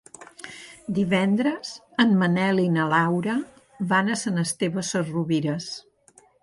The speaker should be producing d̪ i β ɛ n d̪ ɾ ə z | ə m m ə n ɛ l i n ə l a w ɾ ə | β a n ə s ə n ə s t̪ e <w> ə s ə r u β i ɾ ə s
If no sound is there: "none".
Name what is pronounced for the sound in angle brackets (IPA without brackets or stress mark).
β